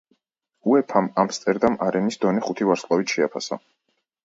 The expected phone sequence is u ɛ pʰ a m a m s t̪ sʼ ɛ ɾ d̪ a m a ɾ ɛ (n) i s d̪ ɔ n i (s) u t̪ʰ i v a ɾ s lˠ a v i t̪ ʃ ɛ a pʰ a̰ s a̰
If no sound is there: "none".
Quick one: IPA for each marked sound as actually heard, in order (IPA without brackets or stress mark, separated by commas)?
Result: n, χ